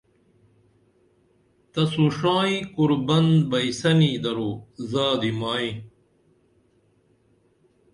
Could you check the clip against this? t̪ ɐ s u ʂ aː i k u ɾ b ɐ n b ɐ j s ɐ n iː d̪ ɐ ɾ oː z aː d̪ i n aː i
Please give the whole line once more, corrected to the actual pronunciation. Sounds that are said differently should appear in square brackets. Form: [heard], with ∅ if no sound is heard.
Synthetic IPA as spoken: t̪ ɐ s u ʂ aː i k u ɾ b ɐ n b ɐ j s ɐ n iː d̪ ɐ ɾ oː z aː d̪ i [m] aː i